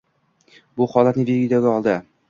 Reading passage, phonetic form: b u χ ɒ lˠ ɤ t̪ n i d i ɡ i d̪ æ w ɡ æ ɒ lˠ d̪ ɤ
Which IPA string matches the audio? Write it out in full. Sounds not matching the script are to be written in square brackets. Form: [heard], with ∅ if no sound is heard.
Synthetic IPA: b u χ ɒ lˠ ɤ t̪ n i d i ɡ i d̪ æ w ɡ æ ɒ lˠ d̪ ɤ

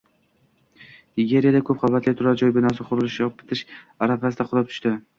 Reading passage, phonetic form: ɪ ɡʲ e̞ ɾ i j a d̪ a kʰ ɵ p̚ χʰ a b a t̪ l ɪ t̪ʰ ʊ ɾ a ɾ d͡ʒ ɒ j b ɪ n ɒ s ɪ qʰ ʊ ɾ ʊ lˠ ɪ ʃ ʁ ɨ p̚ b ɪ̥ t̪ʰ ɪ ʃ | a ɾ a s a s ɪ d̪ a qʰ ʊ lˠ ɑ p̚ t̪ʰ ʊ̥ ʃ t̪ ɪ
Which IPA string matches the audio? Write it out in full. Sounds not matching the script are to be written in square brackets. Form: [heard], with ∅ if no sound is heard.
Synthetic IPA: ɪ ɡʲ e̞ ɾ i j a d̪ a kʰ ɵ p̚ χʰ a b a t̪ l ɪ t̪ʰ ʊ ɾ a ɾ d͡ʒ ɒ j b ɪ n ɒ s ɪ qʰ ʊ ɾ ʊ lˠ ɪ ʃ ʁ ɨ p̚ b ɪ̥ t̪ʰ ɪ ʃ | a ɾ a [f] a s ɪ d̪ a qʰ ʊ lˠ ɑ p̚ t̪ʰ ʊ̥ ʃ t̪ ɪ

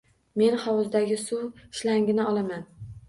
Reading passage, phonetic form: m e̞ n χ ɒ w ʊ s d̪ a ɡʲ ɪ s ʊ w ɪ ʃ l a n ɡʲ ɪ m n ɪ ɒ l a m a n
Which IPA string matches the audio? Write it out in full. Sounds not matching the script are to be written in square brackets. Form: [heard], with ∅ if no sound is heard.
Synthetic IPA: m e̞ n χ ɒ w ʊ [z] d̪ a ɡʲ ɪ s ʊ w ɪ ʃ l a [ŋ] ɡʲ ɪ [∅] n ɪ ɒ l a m a n

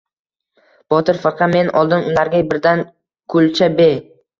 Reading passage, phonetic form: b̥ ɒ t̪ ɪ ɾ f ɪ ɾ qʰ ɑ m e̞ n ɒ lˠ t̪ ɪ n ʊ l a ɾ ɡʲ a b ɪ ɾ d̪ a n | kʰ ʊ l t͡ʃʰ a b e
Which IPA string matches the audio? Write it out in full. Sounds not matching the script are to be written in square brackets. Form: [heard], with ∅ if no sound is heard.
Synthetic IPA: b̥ ɒ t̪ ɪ ɾ f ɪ ɾ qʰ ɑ m e̞ n ɒ lˠ [d̪] ɪ n ʊ l a ɾ ɡʲ a b ɪ ɾ d̪ a n | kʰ ʊ l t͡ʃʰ a b e

